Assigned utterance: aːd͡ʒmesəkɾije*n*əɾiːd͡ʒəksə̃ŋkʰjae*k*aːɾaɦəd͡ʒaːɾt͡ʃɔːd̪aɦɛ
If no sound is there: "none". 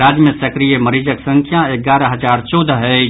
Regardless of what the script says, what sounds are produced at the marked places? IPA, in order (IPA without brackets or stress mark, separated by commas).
m, ɡ